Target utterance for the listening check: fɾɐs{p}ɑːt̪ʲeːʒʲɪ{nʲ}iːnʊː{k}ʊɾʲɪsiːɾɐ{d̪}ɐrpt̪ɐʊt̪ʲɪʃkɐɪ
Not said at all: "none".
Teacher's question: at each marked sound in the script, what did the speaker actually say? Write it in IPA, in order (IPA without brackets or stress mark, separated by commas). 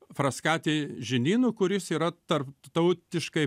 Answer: k, nʲ, k, t̪